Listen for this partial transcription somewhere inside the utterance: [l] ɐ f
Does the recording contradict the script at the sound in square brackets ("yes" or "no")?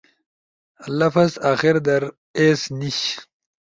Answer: no